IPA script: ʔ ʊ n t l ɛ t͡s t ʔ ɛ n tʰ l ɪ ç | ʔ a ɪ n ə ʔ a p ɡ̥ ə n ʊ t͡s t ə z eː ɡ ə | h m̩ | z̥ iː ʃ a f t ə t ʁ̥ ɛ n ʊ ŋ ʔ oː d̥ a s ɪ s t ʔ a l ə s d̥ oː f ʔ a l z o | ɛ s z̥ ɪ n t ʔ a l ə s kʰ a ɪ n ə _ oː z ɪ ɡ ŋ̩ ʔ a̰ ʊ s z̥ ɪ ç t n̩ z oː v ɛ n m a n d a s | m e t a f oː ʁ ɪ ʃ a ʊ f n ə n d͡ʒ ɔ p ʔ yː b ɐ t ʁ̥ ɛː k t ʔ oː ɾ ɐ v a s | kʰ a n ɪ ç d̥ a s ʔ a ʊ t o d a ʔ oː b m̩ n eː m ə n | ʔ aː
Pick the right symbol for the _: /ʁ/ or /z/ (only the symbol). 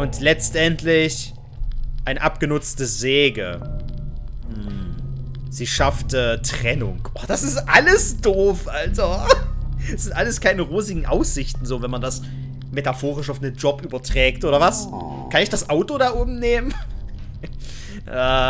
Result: ʁ